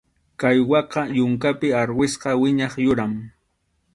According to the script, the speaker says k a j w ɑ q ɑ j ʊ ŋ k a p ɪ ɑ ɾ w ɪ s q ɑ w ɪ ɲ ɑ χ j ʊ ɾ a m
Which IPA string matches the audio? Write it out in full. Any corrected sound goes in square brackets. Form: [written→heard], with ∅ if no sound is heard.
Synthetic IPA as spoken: k a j w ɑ q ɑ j ʊ ŋ k a p ɪ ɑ ɾ w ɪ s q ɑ w ɪ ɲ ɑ χ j ʊ ɾ a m